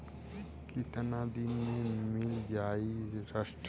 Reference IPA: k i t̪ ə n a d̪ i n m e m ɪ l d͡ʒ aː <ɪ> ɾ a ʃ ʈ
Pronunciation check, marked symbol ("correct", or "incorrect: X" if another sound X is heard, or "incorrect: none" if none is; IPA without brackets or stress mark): incorrect: i